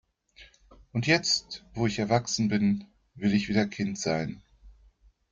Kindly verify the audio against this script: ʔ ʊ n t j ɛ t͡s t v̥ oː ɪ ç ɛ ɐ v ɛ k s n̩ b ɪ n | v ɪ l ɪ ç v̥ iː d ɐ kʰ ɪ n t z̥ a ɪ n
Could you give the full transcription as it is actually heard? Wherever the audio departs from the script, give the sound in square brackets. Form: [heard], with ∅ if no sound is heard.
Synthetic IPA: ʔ ʊ n t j ɛ t͡s t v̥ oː ɪ ç ɛ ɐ v [a] k s n̩ b ɪ n | v ɪ l ɪ ç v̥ iː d ɐ kʰ ɪ n t z̥ a ɪ n